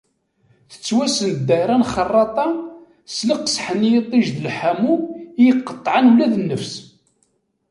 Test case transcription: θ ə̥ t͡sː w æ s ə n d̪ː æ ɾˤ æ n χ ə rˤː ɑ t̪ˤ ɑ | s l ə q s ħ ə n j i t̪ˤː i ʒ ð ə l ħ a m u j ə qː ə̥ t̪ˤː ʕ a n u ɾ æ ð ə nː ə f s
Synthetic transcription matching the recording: θ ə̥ t͡sː w æ s ə n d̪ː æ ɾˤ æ n χ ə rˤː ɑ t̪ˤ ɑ | s l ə q s ħ ə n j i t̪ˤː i ʒ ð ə l ħ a m u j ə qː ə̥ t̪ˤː ʕ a n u l æ ð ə nː ə f s

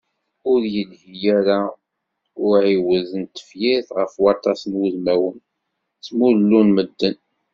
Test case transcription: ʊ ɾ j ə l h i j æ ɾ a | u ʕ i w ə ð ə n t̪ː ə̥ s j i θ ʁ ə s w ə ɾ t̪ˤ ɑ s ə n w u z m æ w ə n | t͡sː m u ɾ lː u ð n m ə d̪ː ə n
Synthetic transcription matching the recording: ʊ ɾ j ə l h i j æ ɾ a | ʊ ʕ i w ə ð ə n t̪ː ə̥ f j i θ ʁ ə f w ɑ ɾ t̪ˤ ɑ s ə n w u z m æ w ə n | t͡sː m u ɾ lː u n m ə d̪ː ə n

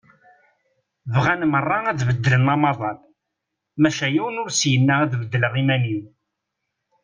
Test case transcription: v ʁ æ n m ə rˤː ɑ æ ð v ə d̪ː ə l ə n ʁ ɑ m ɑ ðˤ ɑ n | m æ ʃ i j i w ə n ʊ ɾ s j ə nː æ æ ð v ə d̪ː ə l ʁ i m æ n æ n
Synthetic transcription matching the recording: v ʁ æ n m ə rˤː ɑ æ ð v ə d̪ː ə l ə n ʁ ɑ m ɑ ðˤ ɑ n | m æ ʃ æ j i w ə n ʊ ɾ s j ə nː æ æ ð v ə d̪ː ə l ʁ i m æ n i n

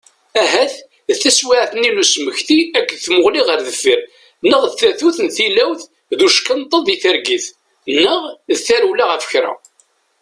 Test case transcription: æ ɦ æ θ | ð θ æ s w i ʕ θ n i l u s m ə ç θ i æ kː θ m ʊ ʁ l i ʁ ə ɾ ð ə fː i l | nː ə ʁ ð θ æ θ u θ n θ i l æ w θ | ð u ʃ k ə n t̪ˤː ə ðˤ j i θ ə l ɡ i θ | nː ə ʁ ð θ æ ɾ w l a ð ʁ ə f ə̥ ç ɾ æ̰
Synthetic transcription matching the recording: æ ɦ æ θ | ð θ æ s w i ʕ θ n i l u s m ə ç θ i æ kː θ m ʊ ʁ l i ʁ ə ɾ ð ə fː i ɾ | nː ə ʁ ð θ æ θ u θ n θ i l æ w θ | ð u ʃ k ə n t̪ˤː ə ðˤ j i θ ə ɾ ɡ i θ | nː ə ʁ ð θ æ ɾ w l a ʁ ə f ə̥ ç ɾ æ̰

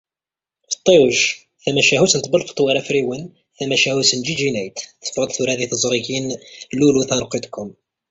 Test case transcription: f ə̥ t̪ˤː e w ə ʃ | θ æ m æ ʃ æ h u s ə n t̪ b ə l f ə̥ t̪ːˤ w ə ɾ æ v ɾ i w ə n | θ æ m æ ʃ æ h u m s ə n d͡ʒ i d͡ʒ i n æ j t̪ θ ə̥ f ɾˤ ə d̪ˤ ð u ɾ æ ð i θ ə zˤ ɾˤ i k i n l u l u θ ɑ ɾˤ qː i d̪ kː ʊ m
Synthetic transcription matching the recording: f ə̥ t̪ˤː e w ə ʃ | θ æ m æ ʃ æ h u s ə n t̪ b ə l f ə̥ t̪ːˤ w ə ɾ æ f ɾ i w ə n | θ æ m æ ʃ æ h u s ə n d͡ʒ i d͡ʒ i n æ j t̪ θ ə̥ f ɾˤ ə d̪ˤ θ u ɾ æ ð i θ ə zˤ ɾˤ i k i n l u l u θ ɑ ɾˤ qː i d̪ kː ʊ m

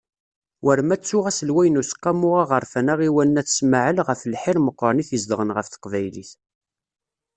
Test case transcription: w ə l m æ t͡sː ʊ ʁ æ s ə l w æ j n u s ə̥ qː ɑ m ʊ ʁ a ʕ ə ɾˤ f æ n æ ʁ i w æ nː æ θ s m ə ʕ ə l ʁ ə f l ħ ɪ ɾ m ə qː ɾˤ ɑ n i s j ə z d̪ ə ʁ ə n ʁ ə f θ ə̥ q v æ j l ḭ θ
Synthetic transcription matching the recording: w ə ɾ m æ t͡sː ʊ ʁ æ s ə l w æ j n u s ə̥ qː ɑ m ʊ ʁ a ʁ ə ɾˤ f æ n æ ʁ i w æ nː æ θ s m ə ʕ ə l ʁ ə f l ħ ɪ ɾ m ə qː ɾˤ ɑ n i θ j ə z d̪ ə ʁ ə n ʁ ə f θ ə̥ q v æ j l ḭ θ

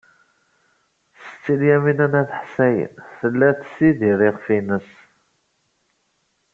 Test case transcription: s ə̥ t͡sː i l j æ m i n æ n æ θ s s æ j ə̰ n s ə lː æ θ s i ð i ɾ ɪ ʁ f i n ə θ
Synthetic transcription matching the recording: s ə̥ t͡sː i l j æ m i n æ n æ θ ħ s æ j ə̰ n θ ə lː æ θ s i ð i ɾ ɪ ʁ f i n ə s

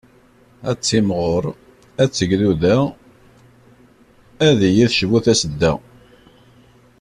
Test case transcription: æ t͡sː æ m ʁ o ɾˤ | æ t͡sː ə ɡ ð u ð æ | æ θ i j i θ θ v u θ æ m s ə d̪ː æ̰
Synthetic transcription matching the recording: æ t͡sː i m ʁ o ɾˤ | æ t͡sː ə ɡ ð u ð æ | æ ð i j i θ ʃ v u θ æ s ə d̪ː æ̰

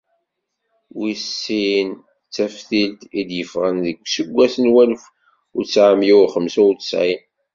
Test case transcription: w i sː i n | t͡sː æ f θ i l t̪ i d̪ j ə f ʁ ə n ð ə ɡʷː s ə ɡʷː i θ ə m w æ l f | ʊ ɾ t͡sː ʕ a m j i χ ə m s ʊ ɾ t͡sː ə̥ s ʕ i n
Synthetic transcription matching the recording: w i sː i n | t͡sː æ f θ i l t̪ i d̪ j ə f ʁ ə n ð ə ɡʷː s ə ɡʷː æ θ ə n w æ l f | ʊ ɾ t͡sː ʕ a m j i χ ə m s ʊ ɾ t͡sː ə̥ s ʕ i n

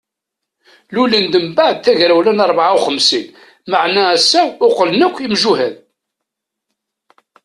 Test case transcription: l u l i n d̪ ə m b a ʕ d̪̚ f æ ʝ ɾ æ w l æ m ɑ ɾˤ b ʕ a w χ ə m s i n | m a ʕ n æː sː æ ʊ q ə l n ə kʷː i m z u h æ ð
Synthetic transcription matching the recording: l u l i n d̪ ə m b a ʕ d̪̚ θ æ ʝ ɾ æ w l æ n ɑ ɾˤ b ʕ a w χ ə m s i n | m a ʕ n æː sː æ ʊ q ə l n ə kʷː i m ʒ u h æ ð

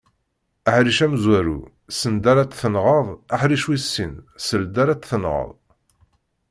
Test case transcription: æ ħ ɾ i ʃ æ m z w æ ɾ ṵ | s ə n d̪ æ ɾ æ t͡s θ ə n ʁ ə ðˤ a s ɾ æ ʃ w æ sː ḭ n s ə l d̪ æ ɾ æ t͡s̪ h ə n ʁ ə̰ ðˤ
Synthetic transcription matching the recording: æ ħ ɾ i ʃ æ m z w æ ɾ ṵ | s ə n d̪ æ ɾ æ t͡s θ ə n ʁ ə ðˤ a ħ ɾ i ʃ w i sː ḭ n s ə l d̪ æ ɾ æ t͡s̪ θ ə n ʁ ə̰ ðˤ

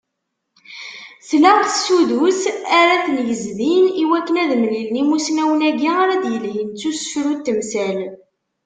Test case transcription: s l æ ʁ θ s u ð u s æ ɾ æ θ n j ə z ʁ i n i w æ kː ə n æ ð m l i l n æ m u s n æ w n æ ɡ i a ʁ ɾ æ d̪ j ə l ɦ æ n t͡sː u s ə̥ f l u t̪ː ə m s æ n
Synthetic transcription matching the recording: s l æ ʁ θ s u ð u s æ ɾ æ θ n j ə z ð i n i w æ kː ə n æ ð m l i l n i m u s n æ w n æ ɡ i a ɾ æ d̪ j ə l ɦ i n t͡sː u s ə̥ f ɾ u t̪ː ə m s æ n

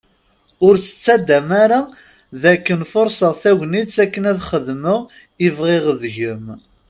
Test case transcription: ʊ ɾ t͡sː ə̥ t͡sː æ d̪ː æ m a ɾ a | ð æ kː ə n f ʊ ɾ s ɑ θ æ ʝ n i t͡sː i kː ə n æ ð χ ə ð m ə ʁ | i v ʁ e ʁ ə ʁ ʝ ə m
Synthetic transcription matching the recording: ʊ ɾ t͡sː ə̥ t͡sː æ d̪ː æ m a ɾ a | ð æ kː ə n f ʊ ɾ s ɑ θ æ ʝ n i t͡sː æ kː ə n æ ð χ ə ð m ə ʁ | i v ʁ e ʁ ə ð ʝ ə m

